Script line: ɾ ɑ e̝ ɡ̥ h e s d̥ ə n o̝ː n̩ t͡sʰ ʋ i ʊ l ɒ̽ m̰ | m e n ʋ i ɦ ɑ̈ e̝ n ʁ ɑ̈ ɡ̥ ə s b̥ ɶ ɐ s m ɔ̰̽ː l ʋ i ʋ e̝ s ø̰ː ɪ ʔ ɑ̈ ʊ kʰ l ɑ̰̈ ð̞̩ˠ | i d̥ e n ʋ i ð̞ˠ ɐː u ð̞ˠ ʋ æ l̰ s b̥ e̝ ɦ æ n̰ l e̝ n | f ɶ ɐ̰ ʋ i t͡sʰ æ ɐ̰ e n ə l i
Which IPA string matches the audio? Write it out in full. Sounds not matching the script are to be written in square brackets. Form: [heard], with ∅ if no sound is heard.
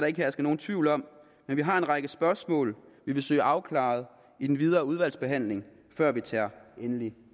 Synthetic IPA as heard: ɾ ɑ e̝ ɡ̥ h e s [ɡ̥] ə n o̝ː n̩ t͡sʰ ʋ i ʊ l ɒ̽ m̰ | m e n ʋ i ɦ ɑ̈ e̝ n ʁ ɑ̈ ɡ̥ ə s b̥ ɶ ɐ s m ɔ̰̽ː l ʋ i ʋ e̝ s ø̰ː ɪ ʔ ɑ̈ ʊ kʰ l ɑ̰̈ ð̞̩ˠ | i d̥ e n ʋ i ð̞ˠ ɐː u ð̞ˠ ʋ æ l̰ s b̥ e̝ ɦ æ n̰ l e̝ [ŋ] | f ɶ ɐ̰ ʋ i t͡sʰ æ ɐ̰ e n ə l i